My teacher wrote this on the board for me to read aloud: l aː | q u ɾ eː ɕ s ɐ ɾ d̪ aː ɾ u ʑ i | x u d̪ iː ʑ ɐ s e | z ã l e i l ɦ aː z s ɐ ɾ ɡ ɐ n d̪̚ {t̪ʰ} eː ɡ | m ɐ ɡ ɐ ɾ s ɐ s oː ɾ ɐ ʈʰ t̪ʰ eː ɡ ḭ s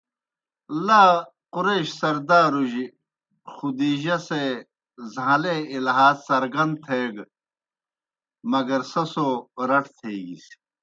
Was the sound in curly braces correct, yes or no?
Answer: yes